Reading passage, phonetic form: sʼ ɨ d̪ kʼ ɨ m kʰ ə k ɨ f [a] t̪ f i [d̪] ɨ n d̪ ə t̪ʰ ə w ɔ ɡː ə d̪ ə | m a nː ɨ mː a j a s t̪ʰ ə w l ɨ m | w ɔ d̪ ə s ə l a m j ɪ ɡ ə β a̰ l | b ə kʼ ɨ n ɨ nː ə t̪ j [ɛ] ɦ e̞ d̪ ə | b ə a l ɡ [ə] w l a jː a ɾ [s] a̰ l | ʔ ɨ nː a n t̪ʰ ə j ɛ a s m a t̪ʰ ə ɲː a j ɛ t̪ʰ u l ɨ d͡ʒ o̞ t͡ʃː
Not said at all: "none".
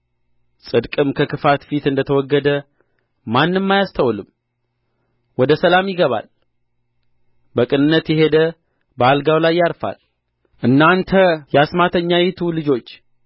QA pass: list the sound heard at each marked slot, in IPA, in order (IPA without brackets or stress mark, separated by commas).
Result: a, t̪, ɛ, a, f